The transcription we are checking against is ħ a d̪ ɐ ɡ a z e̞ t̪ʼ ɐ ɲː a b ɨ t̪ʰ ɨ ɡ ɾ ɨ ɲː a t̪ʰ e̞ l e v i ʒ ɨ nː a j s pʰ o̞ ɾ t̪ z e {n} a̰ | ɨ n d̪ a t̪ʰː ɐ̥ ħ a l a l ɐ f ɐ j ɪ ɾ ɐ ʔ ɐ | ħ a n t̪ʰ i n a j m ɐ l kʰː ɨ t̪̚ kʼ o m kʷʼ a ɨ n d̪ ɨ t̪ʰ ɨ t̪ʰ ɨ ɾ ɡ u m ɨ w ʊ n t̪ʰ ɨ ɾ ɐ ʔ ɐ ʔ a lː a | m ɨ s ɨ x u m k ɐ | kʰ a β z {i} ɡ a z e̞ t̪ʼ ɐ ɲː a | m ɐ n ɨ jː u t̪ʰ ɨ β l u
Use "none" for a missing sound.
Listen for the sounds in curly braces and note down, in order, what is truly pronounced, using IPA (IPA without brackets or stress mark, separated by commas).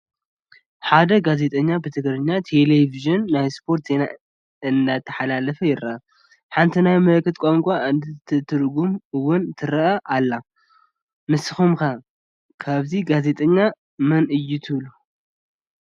n, i